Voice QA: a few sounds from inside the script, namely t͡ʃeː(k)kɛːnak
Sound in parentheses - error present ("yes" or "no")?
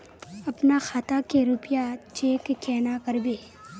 no